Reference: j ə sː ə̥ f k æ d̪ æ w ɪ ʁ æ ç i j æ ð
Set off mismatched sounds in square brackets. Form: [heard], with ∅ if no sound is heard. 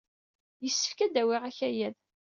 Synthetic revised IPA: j ə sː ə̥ f k æ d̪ æ w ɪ ʁ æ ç [æ] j æ ð